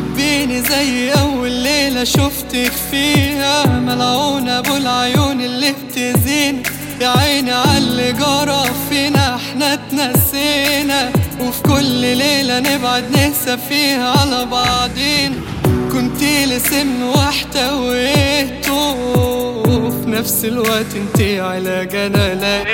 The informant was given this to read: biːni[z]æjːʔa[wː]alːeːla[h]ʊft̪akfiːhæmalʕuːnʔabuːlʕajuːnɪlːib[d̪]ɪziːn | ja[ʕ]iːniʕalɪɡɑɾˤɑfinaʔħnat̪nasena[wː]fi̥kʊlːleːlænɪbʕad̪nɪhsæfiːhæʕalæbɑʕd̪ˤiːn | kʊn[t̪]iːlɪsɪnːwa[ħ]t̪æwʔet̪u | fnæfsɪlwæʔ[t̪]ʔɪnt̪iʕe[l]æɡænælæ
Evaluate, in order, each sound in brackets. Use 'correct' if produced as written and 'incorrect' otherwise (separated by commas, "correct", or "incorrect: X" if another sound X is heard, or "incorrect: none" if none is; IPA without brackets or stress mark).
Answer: correct, correct, incorrect: ʃ, incorrect: t̪, correct, incorrect: w, correct, correct, correct, correct